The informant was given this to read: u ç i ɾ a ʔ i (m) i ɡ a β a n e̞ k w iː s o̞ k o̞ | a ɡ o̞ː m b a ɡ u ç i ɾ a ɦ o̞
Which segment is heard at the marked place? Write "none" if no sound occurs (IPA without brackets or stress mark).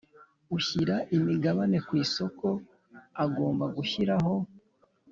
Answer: m